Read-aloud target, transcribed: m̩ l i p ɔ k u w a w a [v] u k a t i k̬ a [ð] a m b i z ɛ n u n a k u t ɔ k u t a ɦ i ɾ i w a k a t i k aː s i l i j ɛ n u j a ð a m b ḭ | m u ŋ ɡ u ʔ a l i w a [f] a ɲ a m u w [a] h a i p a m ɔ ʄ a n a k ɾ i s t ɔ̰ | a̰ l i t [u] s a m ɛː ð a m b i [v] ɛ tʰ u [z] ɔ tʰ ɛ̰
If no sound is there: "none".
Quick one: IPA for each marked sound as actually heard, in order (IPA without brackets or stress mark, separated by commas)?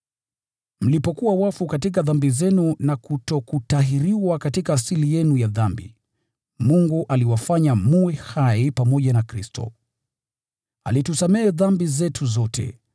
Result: f, ð, f, ɛ, u, z, z